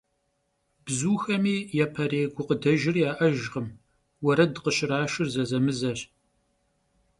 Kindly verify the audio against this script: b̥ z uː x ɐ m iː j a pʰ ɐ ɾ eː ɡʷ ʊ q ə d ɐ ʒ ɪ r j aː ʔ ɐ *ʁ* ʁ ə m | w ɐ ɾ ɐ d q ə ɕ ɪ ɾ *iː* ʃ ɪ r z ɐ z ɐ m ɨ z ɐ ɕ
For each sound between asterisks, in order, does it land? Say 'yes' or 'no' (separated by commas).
no, no